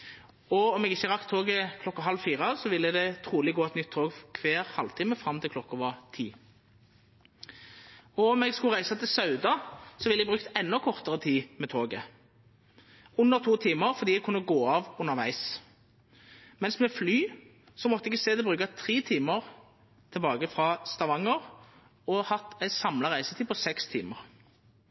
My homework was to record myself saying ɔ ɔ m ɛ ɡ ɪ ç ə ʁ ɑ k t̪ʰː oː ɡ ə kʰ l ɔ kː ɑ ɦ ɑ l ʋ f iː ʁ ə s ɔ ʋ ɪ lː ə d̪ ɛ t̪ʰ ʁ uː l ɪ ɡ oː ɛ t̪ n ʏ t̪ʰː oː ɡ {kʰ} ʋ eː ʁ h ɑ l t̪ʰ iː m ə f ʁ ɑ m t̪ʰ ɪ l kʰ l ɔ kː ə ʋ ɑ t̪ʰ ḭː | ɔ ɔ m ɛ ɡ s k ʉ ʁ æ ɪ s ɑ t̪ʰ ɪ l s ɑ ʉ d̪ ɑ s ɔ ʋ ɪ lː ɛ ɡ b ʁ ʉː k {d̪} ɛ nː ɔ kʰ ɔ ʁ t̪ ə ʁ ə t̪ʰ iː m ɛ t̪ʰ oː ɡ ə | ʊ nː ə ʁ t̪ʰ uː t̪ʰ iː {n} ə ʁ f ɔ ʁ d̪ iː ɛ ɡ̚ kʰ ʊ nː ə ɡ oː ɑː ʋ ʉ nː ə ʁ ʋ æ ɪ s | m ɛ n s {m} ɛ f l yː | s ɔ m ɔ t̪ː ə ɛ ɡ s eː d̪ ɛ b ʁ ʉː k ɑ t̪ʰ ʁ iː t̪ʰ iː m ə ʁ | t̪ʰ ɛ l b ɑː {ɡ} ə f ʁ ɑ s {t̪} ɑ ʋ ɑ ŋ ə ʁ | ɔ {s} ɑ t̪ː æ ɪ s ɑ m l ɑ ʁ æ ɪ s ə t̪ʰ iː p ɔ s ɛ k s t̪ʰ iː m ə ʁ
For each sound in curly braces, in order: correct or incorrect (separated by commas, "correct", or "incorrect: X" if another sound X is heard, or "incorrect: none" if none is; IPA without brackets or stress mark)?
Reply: correct, incorrect: t̪, incorrect: m, correct, correct, correct, incorrect: h